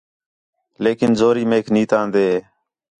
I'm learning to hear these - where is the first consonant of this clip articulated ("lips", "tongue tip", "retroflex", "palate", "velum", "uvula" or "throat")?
tongue tip